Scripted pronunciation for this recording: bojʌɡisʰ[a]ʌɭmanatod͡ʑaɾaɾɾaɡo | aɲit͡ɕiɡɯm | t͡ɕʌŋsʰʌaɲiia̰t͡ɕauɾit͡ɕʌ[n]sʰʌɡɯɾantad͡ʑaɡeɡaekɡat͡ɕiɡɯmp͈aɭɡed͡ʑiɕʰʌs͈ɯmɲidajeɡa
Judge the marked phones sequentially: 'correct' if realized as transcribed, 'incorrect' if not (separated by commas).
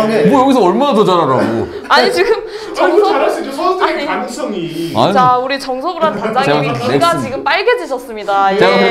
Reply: incorrect, incorrect